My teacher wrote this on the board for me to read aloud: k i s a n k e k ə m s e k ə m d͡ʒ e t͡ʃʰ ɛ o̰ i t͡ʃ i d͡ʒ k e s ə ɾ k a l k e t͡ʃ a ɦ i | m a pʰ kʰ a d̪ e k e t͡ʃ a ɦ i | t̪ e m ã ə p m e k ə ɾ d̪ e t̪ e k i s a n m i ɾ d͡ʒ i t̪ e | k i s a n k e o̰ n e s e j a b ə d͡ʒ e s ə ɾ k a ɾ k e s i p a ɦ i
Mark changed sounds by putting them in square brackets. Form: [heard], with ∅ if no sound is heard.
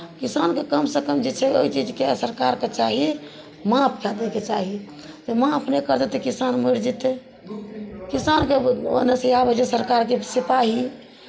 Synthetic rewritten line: k i s a n k e k ə m s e k ə m d͡ʒ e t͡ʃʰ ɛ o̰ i t͡ʃ i d͡ʒ k e s ə ɾ k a [ɾ] k e t͡ʃ a ɦ i | m a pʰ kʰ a d̪ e k e t͡ʃ a ɦ i | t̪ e m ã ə p [n] e k ə ɾ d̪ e t̪ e k i s a n m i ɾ d͡ʒ i t̪ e | k i s a n k e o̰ n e s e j a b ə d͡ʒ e s ə ɾ k a ɾ k e s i p a ɦ i